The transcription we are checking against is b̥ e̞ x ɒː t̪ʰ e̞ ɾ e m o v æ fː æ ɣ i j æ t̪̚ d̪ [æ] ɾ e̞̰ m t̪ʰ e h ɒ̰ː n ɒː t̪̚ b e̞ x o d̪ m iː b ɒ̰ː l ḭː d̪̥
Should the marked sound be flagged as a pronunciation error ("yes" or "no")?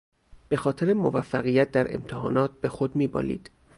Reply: no